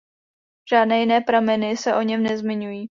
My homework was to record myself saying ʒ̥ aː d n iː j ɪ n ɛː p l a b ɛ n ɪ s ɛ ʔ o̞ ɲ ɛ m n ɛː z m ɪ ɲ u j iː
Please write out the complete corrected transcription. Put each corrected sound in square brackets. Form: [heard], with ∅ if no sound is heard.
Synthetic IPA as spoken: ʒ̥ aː d n [ɛː] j ɪ n ɛː p [ɾ] a [m] ɛ n ɪ s ɛ ʔ o̞ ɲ ɛ m n [ɛ] z m ɪ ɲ u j iː